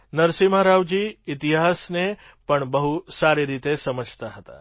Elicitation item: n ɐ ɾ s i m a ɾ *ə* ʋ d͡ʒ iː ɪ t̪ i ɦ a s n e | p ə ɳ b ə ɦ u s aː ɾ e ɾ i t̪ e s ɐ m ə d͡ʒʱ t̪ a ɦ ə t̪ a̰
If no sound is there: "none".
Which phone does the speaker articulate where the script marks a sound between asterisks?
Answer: a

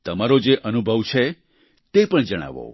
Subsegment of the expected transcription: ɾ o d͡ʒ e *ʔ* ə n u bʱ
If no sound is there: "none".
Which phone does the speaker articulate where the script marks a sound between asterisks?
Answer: ʔ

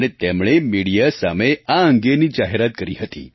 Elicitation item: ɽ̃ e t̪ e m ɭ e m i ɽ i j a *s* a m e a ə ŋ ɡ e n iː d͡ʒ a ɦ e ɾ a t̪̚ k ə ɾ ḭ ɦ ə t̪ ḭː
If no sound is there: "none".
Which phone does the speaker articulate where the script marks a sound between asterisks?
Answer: s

